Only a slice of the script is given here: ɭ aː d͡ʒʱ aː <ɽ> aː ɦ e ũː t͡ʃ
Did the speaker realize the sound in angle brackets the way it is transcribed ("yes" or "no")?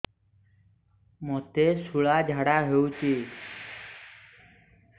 yes